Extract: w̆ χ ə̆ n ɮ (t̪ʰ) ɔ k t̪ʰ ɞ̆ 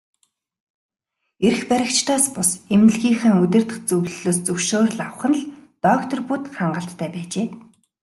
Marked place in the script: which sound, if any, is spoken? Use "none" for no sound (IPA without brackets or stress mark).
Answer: t̪